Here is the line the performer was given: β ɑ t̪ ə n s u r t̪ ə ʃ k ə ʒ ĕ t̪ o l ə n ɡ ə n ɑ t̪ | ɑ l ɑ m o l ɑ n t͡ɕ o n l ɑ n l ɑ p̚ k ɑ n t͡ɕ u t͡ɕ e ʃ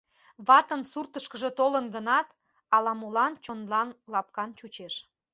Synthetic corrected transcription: β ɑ t̪ ə n s u r t̪ ə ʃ k ə ʒ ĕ t̪ o l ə n ɡ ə n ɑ t̪ | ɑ l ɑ m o l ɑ n t͡ɕ o n l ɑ n l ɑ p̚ k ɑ n t͡ɕ u t͡ɕ e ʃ